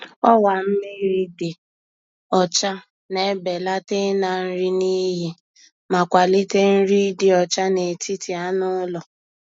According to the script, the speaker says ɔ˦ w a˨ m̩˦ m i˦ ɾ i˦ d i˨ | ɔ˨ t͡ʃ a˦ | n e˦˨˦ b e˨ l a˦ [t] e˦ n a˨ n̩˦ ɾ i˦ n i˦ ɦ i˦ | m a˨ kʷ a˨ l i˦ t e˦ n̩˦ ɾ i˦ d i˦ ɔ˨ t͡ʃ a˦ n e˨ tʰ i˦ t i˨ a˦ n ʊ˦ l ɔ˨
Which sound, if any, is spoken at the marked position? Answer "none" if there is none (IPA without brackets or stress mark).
t